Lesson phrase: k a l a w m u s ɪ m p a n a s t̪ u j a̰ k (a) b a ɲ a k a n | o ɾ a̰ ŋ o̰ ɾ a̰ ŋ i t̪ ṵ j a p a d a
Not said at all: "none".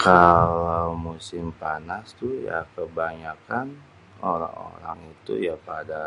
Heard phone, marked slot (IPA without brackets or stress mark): ə